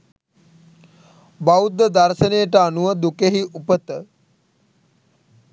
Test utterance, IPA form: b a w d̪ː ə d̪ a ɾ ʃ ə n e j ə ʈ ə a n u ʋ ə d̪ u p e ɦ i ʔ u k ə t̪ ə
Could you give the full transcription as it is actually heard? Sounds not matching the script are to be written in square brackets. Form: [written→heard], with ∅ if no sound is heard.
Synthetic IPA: b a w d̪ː ə d̪ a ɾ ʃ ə n e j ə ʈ ə a n u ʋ ə d̪ u [p→k] e ɦ i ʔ u [k→p] ə t̪ ə